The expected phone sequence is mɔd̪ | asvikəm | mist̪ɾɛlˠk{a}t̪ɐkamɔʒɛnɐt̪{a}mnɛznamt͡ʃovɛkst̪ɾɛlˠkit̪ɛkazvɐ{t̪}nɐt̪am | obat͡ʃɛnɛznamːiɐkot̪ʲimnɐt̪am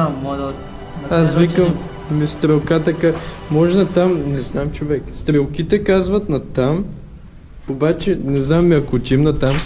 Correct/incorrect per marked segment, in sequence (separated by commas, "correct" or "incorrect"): correct, correct, correct